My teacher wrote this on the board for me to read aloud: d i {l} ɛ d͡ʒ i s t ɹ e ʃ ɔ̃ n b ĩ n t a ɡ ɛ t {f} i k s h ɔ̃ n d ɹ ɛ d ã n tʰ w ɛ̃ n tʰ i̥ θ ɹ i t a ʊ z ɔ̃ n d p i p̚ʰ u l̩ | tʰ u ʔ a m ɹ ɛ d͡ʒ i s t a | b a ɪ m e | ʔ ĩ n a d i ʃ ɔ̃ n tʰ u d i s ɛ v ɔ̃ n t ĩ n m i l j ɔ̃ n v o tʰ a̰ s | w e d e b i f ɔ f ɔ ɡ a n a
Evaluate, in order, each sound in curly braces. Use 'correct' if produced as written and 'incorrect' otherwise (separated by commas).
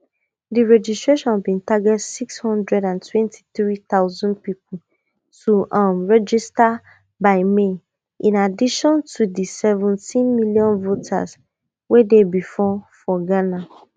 incorrect, incorrect